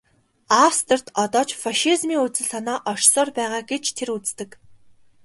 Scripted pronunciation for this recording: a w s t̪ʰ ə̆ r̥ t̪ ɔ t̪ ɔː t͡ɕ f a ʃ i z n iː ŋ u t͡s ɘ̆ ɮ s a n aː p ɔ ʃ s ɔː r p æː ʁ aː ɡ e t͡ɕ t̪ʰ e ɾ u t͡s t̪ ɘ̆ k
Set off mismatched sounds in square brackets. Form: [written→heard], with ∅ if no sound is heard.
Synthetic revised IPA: a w s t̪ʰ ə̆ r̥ t̪ ɔ t̪ ɔː t͡ɕ f a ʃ i z [n→m] iː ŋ u t͡s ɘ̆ ɮ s a n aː [p→ʔ] ɔ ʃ s ɔː r p æː ʁ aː ɡ e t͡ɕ t̪ʰ e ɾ u t͡s t̪ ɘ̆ k